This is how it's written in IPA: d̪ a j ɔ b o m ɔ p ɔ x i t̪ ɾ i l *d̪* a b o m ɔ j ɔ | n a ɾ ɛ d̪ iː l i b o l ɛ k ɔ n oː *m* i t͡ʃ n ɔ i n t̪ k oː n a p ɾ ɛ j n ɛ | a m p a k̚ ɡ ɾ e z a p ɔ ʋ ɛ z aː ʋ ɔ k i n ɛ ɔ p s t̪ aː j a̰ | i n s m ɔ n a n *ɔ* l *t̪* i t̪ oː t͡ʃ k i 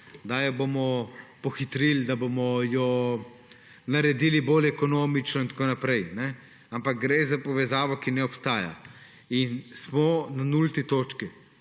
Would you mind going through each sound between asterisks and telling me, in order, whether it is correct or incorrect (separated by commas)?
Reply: correct, correct, incorrect, correct